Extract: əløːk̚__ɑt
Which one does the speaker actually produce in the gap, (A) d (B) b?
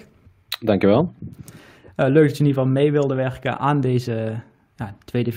A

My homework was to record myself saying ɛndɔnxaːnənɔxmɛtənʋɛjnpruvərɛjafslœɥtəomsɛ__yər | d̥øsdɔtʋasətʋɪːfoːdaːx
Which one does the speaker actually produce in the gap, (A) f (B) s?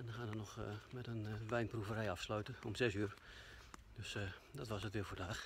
B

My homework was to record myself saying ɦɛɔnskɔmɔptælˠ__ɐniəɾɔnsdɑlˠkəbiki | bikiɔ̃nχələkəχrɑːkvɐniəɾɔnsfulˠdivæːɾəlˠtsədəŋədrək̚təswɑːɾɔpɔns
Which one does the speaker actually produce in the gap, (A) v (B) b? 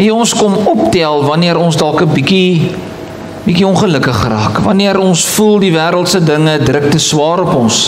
A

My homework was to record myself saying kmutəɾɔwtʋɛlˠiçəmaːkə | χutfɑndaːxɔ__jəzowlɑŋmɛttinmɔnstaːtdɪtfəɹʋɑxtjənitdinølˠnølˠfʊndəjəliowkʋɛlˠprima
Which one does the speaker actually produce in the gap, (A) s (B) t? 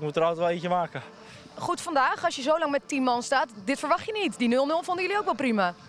A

